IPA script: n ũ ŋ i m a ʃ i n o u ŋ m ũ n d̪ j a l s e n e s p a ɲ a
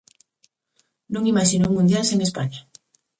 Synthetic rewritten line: n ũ ŋ i m a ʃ i n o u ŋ m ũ n d̪ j a l s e ŋ e s p a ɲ a